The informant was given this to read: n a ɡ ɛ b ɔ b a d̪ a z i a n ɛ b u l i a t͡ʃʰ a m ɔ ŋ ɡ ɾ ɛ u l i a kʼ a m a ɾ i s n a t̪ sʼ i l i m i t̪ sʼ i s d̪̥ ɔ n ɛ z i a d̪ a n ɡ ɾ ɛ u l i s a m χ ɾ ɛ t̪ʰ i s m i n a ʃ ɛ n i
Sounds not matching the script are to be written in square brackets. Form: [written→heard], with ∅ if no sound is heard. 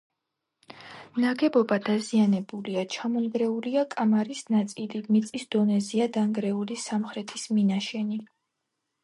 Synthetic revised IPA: n a ɡ ɛ b ɔ b a d̪ a z i a n ɛ b u l i a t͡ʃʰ a m ɔ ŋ ɡ ɾ ɛ u l i a kʼ a m a ɾ i s n a t̪ sʼ i l i m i t̪ sʼ i s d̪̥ ɔ n ɛ z i a d̪ a [n→ŋ] ɡ ɾ ɛ u l i s a m χ ɾ ɛ t̪ʰ i s m i n a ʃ ɛ n i

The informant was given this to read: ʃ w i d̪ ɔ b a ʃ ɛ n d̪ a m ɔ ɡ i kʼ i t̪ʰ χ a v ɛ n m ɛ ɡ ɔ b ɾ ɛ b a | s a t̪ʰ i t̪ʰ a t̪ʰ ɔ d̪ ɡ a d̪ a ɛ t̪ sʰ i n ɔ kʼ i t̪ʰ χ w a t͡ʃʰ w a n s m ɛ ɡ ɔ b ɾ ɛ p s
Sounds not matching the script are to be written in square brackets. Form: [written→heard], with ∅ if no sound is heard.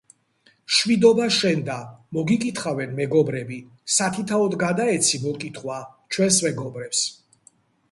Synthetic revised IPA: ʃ w i d̪ ɔ b a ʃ ɛ n d̪ a m ɔ ɡ i kʼ i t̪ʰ χ a v ɛ n m ɛ ɡ ɔ b ɾ ɛ b [a→i] | s a t̪ʰ i t̪ʰ a [t̪ʰ→∅] ɔ d̪ ɡ a d̪ a ɛ t̪ sʰ i [n→m] ɔ kʼ i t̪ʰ χ w a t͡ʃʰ w [a→ɛ] n s m ɛ ɡ ɔ b ɾ ɛ p s

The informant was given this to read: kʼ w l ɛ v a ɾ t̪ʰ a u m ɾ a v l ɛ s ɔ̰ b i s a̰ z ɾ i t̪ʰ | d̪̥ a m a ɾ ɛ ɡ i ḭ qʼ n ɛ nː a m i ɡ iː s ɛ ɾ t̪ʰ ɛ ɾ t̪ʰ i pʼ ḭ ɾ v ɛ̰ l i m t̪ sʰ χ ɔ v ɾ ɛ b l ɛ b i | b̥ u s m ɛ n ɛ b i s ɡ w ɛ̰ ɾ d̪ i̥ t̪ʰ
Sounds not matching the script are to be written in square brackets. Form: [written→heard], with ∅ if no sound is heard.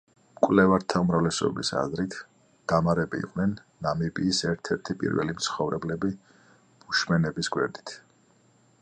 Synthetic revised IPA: kʼ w l ɛ v a ɾ t̪ʰ a u m ɾ a v l ɛ s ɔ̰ b i s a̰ z ɾ i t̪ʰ | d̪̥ a m a ɾ ɛ [ɡ→b] i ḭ qʼ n ɛ nː a m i [ɡ→b] iː s ɛ ɾ t̪ʰ ɛ ɾ t̪ʰ i pʼ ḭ ɾ v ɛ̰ l i m t̪ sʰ χ ɔ v ɾ ɛ b l ɛ b i | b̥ u [s→ʃ] m ɛ n ɛ b i s ɡ w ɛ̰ ɾ d̪ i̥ t̪ʰ

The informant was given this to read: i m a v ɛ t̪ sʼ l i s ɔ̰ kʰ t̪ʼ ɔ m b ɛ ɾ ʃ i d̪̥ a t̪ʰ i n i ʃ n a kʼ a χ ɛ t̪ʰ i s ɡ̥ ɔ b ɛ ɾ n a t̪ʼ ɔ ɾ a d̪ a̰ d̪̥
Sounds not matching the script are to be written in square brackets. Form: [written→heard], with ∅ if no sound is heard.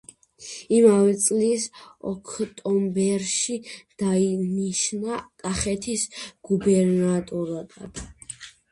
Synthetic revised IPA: i m a v ɛ t̪ sʼ l i s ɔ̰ kʰ t̪ʼ ɔ m b ɛ ɾ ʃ i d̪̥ a [t̪ʰ→∅] i n i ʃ n a kʼ a χ ɛ t̪ʰ i s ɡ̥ [ɔ→u] b ɛ ɾ n a t̪ʼ ɔ ɾ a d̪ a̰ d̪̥

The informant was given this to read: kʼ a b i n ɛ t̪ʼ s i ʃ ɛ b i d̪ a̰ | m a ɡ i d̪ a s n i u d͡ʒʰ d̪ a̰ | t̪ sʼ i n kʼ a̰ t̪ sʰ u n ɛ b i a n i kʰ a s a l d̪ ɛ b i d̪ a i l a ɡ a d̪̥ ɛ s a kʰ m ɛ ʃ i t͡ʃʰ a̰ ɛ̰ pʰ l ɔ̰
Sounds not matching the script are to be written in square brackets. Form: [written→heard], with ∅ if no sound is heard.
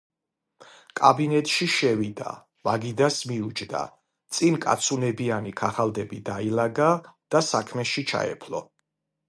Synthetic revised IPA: kʼ a b i n ɛ t̪ʼ [s→ʃ] i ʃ ɛ [b→v] i d̪ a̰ | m a ɡ i d̪ a s [n→m] i u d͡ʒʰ d̪ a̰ | t̪ sʼ i n kʼ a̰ t̪ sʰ u n ɛ b i a n i kʰ a [s→χ] a l d̪ ɛ b i d̪ a i l a ɡ a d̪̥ [ɛ→a] s a kʰ m ɛ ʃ i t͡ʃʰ a̰ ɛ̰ pʰ l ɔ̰

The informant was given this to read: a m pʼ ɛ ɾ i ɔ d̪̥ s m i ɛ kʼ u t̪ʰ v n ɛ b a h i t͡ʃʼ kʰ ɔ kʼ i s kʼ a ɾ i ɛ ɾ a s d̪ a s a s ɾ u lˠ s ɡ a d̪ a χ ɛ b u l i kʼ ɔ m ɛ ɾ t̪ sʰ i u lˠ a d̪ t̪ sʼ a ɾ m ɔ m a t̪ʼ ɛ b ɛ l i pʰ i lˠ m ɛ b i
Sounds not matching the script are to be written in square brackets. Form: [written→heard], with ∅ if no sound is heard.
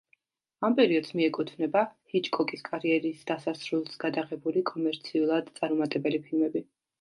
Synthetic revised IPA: a m pʼ ɛ ɾ i ɔ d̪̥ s m i ɛ kʼ u t̪ʰ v n ɛ b a h i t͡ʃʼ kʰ ɔ kʼ i s kʼ a ɾ i ɛ ɾ [a→i] s d̪ a s a s ɾ u lˠ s ɡ a d̪ a [χ→ʁ] ɛ b u l i kʼ ɔ m ɛ ɾ t̪ sʰ i u lˠ a d̪ t̪ sʼ a ɾ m ɔ m a t̪ʼ ɛ b ɛ l i pʰ i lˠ m ɛ b i

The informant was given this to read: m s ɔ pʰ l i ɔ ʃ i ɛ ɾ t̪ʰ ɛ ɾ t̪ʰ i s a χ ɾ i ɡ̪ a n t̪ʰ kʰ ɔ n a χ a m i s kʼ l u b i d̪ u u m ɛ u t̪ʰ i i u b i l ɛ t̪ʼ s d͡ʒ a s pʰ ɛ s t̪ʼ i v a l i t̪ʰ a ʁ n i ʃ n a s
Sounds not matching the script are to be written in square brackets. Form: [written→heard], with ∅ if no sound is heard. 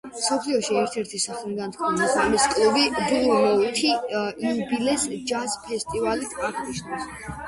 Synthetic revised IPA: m s ɔ pʰ l i ɔ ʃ i ɛ ɾ t̪ʰ ɛ ɾ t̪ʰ i s a χ [ɾ→l] i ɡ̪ a n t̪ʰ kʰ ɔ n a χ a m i s kʼ l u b i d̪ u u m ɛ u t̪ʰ i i u b i l ɛ [t̪ʼ→∅] s d͡ʒ a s pʰ ɛ s t̪ʼ i v a l i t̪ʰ a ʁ n i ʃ n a s

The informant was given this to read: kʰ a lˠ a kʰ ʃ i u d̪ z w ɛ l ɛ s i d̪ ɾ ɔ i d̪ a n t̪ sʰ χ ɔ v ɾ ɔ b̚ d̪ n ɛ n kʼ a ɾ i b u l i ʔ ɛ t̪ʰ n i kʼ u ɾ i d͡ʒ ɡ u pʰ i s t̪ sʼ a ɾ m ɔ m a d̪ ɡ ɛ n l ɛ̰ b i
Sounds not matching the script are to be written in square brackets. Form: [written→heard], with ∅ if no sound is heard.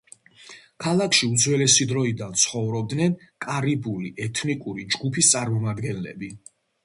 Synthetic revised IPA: kʰ a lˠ a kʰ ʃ i u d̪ z w ɛ l ɛ s i d̪ ɾ ɔ i d̪ a n t̪ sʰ χ ɔ v ɾ ɔ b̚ d̪ n ɛ n kʼ a ɾ i b u l i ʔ ɛ t̪ʰ n i kʼ u ɾ i d͡ʒ ɡ u pʰ i s t̪ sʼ a ɾ m ɔ m a d̪ ɡ ɛ n l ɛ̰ b i

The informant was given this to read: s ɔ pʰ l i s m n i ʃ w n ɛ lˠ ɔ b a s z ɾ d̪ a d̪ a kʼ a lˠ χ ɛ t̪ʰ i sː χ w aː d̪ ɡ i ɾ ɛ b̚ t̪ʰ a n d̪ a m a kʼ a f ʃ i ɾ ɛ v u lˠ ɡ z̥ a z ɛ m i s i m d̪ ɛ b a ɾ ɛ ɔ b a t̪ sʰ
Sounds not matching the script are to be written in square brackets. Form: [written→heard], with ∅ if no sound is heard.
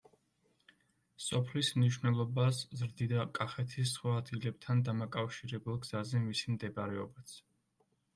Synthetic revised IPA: s ɔ pʰ l i s m n i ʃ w n ɛ lˠ ɔ b a s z ɾ d̪ [a→i] d̪ a kʼ a [lˠ→∅] χ ɛ t̪ʰ i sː χ w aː d̪ ɡ i [ɾ→l] ɛ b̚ t̪ʰ a n d̪ a m a kʼ a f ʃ i ɾ ɛ [v→b] u lˠ ɡ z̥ a z ɛ m i s i m d̪ ɛ b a ɾ ɛ ɔ b a t̪ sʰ

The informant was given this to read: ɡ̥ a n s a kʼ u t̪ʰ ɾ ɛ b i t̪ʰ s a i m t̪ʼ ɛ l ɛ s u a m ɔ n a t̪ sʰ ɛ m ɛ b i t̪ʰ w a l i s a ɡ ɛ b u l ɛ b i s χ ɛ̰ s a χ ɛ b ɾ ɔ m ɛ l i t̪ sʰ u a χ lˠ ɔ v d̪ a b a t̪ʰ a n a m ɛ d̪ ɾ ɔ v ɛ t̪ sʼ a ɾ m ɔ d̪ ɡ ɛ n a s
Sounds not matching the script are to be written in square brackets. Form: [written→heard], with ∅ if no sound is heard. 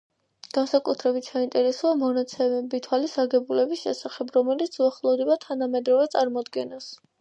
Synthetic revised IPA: ɡ̥ a n s a kʼ u t̪ʰ ɾ ɛ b i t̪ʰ s a i [m→n] t̪ʼ ɛ [l→ɾ] ɛ s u a m ɔ n a t̪ sʰ ɛ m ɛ b i t̪ʰ w a l i s a ɡ ɛ b u l ɛ b i s [χ→ʃ] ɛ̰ s a χ ɛ b ɾ ɔ m ɛ l i t̪ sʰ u a χ lˠ ɔ v d̪ [a→ɛ] b a t̪ʰ a n a m ɛ d̪ ɾ ɔ v ɛ t̪ sʼ a ɾ m ɔ d̪ ɡ ɛ n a s

